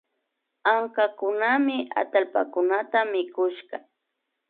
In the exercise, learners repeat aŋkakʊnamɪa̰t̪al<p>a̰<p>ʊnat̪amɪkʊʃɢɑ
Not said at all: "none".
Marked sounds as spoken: p, k

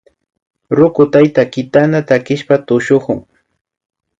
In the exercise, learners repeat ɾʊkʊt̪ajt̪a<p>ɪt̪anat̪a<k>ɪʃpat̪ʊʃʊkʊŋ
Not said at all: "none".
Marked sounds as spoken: k, k

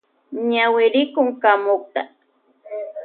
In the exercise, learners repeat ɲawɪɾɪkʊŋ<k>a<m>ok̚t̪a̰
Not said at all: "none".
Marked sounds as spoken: k, m

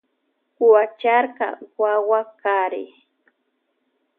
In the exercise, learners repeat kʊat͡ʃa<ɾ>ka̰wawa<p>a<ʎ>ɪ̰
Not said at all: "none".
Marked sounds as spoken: ɾ, k, ɾ

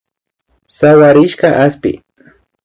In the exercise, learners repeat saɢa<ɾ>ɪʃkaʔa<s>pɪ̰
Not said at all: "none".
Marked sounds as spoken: ɾ, s

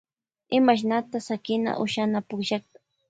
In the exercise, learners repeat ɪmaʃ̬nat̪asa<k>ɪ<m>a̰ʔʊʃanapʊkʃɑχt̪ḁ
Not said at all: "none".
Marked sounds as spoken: k, n

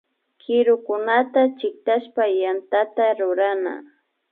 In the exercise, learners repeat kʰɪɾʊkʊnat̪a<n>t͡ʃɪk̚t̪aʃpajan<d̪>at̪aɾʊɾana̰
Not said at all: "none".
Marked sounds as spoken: none, t̪

